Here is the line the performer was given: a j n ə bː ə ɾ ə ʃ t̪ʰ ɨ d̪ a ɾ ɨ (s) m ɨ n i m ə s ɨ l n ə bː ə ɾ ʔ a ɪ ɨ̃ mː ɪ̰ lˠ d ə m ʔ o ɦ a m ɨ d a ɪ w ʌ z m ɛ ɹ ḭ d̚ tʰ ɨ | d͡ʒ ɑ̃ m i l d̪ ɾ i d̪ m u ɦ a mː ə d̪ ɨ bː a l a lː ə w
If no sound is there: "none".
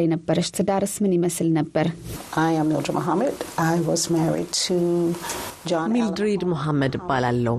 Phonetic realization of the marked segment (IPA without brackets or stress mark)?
s